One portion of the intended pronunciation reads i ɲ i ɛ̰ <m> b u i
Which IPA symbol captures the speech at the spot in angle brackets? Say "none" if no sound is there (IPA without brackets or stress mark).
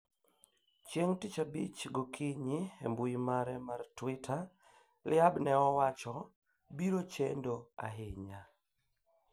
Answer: m